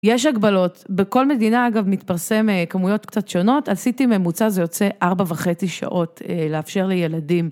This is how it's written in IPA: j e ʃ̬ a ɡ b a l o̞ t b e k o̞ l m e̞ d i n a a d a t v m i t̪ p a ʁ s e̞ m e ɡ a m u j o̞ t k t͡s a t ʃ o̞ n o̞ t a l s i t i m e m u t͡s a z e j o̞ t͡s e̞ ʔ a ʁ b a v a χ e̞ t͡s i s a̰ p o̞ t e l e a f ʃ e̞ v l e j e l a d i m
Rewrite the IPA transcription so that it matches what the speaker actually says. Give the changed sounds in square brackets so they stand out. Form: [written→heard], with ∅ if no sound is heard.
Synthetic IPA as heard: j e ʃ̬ a ɡ b a l o̞ t b e k o̞ l m e̞ d i n a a [d→ɡ] a [t→∅] v m i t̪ p a ʁ s e̞ m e [ɡ→k] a m u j o̞ t k t͡s a t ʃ o̞ n o̞ t a l s i t i m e m u t͡s a z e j o̞ t͡s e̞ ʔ a ʁ b a v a χ e̞ t͡s i [s→ʃ] a̰ [p→ʔ] o̞ t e l e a f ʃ e̞ [v→ʁ] l e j e l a d i m